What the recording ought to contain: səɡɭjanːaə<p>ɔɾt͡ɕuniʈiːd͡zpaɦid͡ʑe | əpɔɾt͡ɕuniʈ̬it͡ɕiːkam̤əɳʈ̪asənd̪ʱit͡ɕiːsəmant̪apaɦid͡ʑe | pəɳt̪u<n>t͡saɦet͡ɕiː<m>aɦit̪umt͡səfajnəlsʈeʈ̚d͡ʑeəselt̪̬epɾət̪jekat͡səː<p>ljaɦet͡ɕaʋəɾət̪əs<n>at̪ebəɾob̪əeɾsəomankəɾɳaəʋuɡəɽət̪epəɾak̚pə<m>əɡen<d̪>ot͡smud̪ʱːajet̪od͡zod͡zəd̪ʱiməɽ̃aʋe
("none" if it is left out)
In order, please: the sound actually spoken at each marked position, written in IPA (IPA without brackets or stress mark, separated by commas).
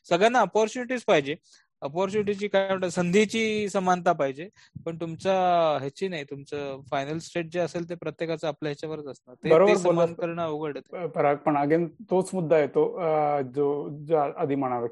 p, m, n, p, n, ɳ, t̪